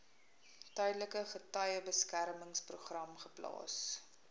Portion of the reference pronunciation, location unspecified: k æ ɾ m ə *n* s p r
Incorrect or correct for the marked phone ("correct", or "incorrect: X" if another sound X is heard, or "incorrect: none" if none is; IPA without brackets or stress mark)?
incorrect: ŋ